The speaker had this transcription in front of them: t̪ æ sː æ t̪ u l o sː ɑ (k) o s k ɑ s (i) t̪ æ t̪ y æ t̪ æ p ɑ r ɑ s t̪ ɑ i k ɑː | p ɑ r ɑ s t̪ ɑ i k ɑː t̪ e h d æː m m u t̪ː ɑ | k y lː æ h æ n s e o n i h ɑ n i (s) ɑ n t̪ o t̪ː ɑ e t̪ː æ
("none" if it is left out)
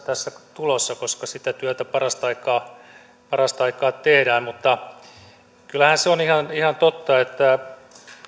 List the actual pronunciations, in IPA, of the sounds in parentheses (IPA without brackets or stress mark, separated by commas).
k, i, h